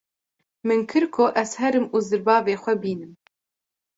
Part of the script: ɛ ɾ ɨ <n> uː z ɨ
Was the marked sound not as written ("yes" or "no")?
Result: yes